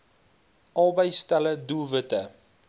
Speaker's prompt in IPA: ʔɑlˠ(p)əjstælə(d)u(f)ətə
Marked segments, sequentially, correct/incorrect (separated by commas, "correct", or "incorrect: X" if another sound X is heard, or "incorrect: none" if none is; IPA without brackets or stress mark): incorrect: b, correct, incorrect: v